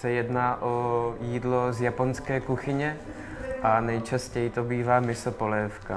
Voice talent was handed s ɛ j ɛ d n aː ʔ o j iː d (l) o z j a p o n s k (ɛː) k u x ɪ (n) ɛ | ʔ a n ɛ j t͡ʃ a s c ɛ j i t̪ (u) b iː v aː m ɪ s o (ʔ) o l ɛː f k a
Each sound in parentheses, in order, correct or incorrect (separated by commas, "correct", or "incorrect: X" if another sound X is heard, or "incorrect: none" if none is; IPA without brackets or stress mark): correct, correct, incorrect: ɲ, incorrect: o, incorrect: p